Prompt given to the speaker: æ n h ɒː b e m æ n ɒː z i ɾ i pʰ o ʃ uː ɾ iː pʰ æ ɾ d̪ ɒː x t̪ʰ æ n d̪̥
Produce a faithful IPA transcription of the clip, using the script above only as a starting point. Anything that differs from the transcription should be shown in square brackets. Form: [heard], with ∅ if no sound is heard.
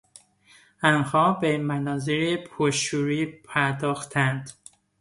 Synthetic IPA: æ n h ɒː b e m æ n ɒː z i ɾ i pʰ o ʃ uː ɾ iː pʰ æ ɾ d̪ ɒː x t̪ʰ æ n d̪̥